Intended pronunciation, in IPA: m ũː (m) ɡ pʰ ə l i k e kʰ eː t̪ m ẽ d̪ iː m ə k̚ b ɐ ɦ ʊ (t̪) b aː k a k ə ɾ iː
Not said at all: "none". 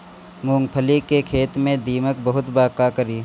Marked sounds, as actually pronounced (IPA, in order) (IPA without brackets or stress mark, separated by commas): ŋ, t̪